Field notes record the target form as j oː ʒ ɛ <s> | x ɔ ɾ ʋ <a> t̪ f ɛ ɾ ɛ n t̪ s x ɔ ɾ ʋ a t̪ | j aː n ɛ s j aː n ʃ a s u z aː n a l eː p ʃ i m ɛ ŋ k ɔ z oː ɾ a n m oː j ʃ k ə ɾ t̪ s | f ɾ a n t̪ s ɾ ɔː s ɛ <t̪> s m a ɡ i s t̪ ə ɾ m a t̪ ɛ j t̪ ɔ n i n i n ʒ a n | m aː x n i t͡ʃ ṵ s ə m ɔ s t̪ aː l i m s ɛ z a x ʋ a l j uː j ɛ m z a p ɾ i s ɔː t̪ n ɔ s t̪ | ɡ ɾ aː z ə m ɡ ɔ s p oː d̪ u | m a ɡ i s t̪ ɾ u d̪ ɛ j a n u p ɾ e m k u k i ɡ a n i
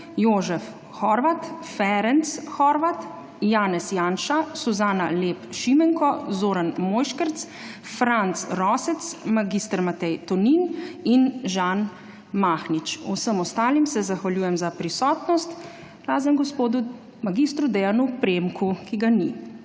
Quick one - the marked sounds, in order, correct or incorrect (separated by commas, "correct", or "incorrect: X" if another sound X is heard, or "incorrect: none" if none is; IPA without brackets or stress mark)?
incorrect: f, correct, correct